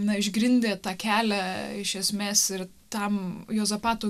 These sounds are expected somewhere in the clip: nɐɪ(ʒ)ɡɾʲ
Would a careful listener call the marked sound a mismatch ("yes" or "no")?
no